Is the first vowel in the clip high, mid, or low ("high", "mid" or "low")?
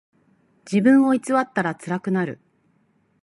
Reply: high